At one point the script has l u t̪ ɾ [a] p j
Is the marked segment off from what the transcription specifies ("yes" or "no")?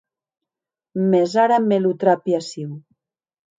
no